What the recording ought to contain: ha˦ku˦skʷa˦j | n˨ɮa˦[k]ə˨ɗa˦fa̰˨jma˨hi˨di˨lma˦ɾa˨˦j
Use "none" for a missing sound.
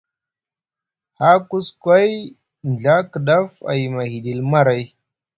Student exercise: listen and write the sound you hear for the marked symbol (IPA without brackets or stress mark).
k